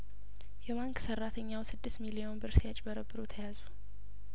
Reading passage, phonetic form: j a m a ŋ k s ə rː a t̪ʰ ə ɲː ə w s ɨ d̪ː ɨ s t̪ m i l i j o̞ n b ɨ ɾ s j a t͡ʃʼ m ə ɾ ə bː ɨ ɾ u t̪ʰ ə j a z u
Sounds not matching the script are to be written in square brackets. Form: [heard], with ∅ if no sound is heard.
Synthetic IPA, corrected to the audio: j [ɛ] m a ŋ k s ə rː a t̪ʰ ə ɲː [a] w s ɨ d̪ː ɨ s t̪ m i l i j o̞ n b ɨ ɾ s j a t͡ʃʼ [b] ə ɾ ə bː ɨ ɾ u t̪ʰ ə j a z u